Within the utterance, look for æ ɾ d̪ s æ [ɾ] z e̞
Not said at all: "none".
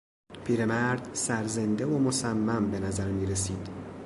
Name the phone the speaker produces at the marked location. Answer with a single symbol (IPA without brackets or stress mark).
ɾ